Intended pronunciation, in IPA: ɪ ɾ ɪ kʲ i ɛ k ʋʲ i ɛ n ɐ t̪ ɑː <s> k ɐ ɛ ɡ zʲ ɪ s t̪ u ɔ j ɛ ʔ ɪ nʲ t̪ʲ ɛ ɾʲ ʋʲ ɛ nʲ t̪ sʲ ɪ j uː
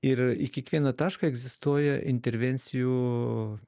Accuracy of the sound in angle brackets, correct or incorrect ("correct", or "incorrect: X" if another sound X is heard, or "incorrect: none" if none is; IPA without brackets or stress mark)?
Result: incorrect: ʃ